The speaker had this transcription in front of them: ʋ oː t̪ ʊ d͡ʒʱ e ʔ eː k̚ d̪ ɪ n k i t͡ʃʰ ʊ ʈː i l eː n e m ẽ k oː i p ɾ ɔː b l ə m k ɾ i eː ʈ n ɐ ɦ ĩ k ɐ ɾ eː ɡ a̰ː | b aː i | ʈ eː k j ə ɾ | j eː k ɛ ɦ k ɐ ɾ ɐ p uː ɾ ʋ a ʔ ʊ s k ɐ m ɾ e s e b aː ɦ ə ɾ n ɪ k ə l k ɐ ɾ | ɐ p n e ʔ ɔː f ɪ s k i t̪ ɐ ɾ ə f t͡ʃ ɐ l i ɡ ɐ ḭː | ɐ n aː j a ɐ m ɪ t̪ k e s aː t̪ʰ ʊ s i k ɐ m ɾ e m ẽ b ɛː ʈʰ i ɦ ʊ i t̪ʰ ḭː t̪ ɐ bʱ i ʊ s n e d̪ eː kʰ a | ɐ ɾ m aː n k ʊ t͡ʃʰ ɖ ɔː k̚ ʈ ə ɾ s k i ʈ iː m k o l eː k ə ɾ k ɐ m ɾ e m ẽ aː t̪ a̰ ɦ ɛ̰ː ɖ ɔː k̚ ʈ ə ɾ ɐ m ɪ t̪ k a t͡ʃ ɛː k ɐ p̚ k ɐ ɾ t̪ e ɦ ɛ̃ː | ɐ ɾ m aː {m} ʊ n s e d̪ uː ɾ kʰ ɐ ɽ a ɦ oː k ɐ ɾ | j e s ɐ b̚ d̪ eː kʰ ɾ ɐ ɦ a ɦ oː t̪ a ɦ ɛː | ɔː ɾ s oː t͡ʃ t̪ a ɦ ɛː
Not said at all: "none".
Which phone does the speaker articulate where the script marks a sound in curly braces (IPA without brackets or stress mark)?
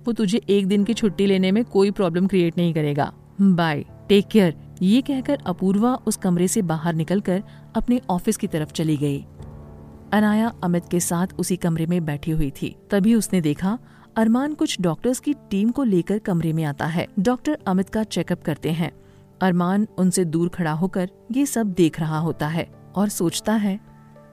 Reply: n